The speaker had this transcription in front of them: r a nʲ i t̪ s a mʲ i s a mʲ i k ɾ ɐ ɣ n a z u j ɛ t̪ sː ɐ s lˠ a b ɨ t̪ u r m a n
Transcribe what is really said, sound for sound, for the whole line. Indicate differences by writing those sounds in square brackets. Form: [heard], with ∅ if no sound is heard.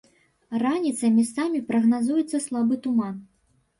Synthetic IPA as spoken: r a nʲ i t̪ s [ɐ] mʲ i s a mʲ i [p] ɾ ɐ ɣ n a z u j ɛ t̪ sː ɐ s lˠ a b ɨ t̪ u [∅] m a n